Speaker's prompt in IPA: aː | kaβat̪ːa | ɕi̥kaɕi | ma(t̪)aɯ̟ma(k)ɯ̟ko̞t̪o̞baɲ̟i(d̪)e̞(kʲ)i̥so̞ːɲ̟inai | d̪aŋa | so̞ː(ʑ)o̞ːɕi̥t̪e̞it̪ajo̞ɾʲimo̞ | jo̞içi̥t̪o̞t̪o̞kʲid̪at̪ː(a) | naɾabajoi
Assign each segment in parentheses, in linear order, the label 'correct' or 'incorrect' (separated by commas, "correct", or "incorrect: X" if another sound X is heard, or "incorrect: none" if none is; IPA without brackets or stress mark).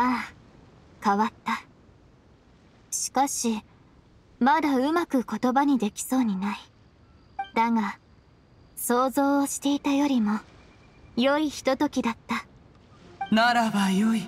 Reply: incorrect: d̪, correct, correct, correct, incorrect: z, correct